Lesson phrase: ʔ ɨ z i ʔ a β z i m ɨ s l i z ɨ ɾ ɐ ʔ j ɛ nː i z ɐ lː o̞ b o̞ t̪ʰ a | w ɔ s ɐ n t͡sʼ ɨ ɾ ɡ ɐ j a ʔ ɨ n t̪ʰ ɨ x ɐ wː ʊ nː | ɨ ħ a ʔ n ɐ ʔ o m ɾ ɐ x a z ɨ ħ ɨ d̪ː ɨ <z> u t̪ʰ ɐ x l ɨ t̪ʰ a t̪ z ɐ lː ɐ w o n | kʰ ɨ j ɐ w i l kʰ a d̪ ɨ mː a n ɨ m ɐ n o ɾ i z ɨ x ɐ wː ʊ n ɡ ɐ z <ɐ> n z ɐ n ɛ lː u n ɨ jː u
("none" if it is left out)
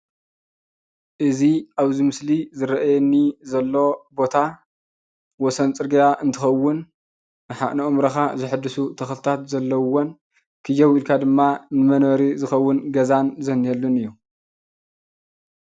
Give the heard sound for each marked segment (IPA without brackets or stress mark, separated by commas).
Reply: s, a